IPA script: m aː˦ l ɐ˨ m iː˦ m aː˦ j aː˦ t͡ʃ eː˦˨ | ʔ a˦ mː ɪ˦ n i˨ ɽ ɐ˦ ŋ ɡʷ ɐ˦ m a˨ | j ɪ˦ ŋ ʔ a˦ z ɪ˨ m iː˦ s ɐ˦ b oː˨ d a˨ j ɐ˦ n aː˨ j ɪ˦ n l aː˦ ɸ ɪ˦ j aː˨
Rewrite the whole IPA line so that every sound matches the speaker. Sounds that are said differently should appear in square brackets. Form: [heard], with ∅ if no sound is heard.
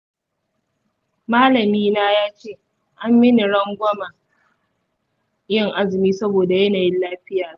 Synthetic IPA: m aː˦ l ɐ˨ m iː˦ [n] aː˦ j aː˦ t͡ʃ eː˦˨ | ʔ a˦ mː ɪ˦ n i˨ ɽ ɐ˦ ŋ ɡʷ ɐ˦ m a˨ | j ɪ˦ ŋ ʔ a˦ z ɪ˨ m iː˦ s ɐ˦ b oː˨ d a˨ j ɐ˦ n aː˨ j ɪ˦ n l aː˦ ɸ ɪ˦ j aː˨